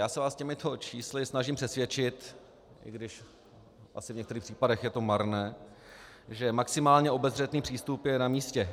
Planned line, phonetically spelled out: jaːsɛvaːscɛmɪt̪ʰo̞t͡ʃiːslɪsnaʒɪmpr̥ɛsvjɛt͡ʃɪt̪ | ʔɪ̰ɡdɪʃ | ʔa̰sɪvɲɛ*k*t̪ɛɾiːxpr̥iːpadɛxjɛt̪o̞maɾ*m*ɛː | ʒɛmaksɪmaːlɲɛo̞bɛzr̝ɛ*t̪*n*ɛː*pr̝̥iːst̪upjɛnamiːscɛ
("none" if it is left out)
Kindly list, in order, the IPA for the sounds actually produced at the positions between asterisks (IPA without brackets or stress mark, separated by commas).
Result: k, n, t̪, iː